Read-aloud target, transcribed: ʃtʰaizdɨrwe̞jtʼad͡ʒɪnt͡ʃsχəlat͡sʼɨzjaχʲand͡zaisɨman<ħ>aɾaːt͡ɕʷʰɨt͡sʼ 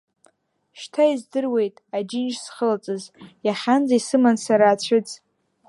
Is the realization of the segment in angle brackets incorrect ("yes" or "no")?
yes